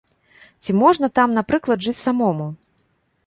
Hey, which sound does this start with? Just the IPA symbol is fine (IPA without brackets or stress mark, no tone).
t͡sʲ